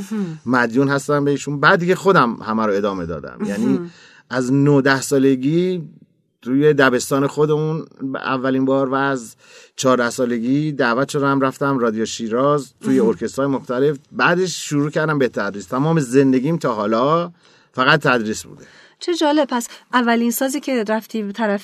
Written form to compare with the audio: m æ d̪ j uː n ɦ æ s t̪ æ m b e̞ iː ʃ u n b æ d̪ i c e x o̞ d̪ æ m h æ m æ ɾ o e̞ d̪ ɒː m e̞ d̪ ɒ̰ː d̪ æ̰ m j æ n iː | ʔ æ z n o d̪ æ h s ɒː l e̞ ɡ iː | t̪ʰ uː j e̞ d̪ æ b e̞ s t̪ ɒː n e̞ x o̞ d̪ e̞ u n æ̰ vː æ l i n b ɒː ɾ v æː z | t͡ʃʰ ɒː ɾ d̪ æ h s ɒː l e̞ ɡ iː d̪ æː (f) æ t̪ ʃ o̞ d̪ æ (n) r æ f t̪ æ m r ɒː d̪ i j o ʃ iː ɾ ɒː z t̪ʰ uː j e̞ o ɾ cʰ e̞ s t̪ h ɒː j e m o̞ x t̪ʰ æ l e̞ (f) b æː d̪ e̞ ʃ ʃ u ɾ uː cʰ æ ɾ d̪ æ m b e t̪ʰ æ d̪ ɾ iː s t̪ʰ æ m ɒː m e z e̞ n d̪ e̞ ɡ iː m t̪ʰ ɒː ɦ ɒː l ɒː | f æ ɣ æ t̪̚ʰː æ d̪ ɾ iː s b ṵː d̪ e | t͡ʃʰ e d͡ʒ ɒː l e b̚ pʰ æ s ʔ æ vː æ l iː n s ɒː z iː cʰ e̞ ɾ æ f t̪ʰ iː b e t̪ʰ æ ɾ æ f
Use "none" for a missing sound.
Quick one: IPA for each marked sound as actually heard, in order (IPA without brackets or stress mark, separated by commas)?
v, m, f